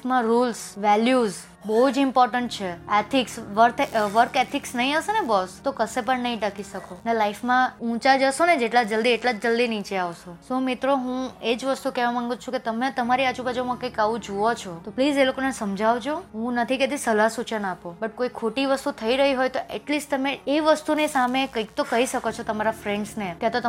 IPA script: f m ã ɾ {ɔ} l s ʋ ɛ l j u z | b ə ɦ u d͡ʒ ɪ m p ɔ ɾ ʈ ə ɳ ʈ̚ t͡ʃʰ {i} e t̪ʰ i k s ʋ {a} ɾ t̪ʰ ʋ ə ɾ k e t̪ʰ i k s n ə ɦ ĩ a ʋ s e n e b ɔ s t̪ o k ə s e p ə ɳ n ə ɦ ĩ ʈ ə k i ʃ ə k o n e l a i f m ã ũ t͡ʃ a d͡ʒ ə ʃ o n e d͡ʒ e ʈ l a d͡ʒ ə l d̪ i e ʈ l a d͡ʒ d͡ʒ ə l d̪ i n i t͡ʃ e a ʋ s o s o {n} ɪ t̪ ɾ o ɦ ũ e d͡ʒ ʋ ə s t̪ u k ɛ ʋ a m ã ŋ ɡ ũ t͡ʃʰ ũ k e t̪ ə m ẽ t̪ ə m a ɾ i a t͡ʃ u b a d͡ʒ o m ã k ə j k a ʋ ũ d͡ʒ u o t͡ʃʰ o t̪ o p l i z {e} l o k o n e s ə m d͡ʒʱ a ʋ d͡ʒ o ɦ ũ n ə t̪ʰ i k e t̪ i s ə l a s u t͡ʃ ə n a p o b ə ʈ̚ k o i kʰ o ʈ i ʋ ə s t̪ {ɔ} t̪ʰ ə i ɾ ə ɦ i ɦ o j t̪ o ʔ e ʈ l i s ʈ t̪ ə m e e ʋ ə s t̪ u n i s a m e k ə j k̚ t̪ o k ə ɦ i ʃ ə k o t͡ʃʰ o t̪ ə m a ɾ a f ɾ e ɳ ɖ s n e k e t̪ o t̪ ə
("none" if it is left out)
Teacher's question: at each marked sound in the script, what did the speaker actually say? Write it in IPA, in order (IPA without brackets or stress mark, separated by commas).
u, e, ə, m, e, u